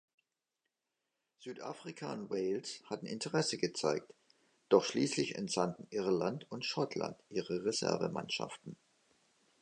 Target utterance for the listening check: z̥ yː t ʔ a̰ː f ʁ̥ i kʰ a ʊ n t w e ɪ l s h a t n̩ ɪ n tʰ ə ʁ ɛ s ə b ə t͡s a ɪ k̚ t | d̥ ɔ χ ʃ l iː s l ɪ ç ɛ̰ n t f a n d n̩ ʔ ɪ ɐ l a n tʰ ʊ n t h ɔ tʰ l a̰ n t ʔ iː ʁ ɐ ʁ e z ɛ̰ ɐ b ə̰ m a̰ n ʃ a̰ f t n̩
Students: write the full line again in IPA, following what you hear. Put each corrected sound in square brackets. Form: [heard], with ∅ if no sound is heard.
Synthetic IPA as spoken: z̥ yː t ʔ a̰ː f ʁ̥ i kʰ a ʊ n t w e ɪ l s h a t n̩ ɪ n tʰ ə ʁ ɛ s ə [ɡ] ə t͡s a ɪ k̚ t | d̥ ɔ χ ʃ l iː s l ɪ ç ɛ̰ n t f a n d n̩ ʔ ɪ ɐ l a n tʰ ʊ n t [ʃ] ɔ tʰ l a̰ n t ʔ iː ʁ [ə] ʁ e z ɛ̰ ɐ [v] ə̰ m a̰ n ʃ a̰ f t n̩